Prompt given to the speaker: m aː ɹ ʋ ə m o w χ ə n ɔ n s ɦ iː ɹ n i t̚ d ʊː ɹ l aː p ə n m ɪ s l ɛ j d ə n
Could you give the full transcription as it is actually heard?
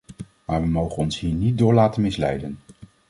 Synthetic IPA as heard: m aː ɹ ʋ ə m o w χ ə n ɔ n s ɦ iː ɹ n i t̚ d ʊː ɹ l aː t ə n m ɪ s l ɛ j d ə n